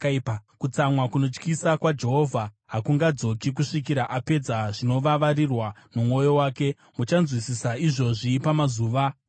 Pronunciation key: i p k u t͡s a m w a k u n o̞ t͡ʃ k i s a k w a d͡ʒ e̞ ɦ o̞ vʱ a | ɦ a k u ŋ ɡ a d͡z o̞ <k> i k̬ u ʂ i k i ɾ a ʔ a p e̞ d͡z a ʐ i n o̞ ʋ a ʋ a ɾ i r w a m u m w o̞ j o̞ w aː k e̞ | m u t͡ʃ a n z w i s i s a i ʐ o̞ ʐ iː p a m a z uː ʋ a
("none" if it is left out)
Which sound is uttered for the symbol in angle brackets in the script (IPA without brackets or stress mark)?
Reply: k